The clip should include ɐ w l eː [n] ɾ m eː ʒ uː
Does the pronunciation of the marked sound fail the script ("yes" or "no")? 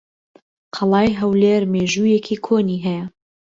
yes